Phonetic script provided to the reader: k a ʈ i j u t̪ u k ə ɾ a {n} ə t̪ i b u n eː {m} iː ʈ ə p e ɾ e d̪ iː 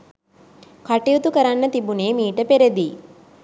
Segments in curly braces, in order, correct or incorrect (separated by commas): incorrect, correct